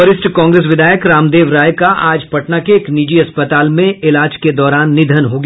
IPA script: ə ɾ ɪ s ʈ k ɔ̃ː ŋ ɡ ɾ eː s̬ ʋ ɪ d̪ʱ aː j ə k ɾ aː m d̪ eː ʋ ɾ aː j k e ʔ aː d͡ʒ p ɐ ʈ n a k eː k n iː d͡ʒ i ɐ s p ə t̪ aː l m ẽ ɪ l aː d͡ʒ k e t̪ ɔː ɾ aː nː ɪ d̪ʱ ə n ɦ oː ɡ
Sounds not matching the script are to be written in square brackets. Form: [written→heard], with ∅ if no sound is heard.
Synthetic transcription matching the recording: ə ɾ ɪ s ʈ k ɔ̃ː ŋ ɡ ɾ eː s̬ ʋ ɪ d̪ʱ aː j ə k ɾ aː m d̪ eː ʋ ɾ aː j k [e→a] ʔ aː d͡ʒ p ɐ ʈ n a k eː k n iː d͡ʒ i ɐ s p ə t̪ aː l m ẽ ɪ l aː d͡ʒ k e [t̪→d̪] ɔː ɾ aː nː ɪ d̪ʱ ə n ɦ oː ɡ